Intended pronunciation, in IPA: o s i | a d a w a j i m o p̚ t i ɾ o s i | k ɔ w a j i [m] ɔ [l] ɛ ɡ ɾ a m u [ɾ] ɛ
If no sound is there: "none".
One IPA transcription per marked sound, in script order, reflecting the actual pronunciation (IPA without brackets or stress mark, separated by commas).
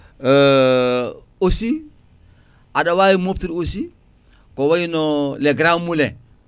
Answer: n, l, l